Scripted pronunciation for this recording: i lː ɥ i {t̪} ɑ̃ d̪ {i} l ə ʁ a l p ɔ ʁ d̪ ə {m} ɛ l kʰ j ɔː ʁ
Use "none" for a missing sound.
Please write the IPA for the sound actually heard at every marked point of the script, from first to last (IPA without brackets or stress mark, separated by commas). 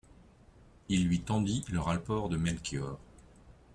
t̪, i, m